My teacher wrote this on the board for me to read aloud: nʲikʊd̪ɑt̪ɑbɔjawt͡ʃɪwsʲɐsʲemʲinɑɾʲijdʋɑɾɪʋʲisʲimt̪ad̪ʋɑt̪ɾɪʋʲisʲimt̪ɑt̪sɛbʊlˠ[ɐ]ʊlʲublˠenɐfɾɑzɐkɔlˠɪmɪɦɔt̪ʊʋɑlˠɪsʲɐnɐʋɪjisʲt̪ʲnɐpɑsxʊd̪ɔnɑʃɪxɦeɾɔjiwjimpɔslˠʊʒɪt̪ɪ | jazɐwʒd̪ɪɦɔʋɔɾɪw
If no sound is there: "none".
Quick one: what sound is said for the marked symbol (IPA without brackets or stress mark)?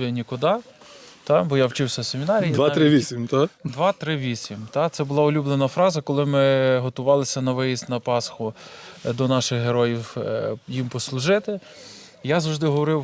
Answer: ɑ